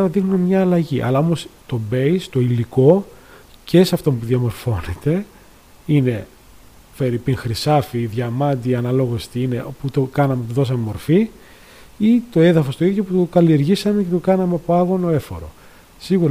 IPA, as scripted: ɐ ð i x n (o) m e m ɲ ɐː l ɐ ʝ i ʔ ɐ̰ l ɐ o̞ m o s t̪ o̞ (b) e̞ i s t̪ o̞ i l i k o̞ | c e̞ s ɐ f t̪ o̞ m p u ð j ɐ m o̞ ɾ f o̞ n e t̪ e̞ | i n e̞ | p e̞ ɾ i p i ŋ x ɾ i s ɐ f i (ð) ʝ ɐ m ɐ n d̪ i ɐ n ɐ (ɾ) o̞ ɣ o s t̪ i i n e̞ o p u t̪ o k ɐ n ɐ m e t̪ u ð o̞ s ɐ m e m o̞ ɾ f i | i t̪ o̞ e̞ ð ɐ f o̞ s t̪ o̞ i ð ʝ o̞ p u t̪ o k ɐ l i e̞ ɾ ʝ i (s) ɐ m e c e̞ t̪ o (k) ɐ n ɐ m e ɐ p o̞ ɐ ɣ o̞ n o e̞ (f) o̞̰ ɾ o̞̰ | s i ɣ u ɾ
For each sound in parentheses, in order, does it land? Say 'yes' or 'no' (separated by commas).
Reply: no, yes, yes, no, yes, yes, yes